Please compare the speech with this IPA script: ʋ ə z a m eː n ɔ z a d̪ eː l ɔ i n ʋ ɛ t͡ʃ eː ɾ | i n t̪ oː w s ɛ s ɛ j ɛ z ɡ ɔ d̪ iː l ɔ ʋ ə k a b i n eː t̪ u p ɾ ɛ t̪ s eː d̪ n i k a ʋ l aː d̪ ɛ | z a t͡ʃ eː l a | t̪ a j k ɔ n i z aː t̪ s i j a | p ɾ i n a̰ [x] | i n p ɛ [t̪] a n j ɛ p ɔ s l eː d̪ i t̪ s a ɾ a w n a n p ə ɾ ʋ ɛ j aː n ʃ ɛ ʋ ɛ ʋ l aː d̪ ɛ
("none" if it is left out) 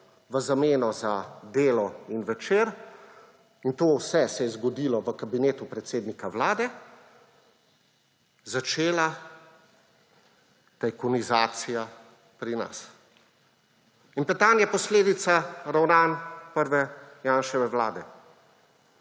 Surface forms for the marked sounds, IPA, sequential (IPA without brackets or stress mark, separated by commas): s, t̪